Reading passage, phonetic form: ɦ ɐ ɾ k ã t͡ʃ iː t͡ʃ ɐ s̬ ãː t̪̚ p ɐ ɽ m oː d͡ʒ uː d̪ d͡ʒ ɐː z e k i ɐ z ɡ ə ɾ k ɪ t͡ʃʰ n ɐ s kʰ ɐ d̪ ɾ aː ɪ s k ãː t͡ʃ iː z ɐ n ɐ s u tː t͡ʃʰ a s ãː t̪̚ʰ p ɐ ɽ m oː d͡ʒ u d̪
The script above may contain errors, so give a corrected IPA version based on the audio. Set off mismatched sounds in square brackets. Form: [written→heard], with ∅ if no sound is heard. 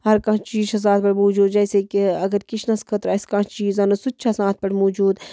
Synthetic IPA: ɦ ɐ ɾ k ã t͡ʃ iː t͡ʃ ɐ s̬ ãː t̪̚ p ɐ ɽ m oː d͡ʒ uː d̪ d͡ʒ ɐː [z→s] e k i ɐ [z→∅] ɡ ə ɾ k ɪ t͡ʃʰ n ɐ s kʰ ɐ [d̪→t̪] ɾ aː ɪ s k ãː t͡ʃ iː z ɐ n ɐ s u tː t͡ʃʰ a s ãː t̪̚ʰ p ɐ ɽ m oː d͡ʒ [u→uː] d̪